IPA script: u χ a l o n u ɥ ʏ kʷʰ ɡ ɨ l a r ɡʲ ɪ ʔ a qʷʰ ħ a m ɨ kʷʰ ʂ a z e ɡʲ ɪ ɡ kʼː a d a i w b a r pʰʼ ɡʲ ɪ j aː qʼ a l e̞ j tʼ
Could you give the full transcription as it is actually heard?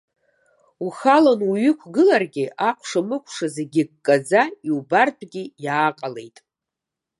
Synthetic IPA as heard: u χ a l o n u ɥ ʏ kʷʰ ɡ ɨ l a r ɡʲ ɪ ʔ a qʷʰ ʂ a m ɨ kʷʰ ʂ a z e ɡʲ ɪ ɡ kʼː a d͡z a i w b a r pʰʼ ɡʲ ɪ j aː qʼ a l e̞ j tʼ